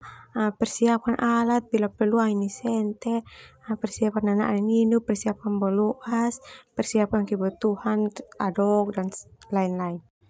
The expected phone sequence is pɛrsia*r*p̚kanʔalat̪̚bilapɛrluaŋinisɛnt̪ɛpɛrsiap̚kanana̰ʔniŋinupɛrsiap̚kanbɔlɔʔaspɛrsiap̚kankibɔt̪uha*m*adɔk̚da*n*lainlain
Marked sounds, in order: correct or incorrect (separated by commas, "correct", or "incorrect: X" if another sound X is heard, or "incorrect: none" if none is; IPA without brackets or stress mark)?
incorrect: none, incorrect: n, correct